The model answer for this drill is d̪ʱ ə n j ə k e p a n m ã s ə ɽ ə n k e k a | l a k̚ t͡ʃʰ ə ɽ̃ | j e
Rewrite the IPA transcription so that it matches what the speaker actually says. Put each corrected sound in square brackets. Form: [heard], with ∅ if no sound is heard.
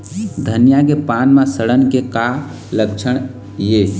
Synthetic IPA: d̪ʱ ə n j [a] k e p a n m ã s ə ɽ ə n k e k a | l [ə] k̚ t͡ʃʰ ə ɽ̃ | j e